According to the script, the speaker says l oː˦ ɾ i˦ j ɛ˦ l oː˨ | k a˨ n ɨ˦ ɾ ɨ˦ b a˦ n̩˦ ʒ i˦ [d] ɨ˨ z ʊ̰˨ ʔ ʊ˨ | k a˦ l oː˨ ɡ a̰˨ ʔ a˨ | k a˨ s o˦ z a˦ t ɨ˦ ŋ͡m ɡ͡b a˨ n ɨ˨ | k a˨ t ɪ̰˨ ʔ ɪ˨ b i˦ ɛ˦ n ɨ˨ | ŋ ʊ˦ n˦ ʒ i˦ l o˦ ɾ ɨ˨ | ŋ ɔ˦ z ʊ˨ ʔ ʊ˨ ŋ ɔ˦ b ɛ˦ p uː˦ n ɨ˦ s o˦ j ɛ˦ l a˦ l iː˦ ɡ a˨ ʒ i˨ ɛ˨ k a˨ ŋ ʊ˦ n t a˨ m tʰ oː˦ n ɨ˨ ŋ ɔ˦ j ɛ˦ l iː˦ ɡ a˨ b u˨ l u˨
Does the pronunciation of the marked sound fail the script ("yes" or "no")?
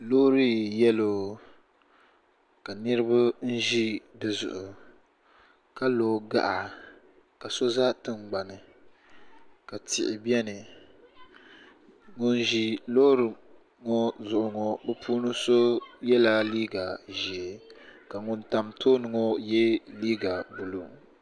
no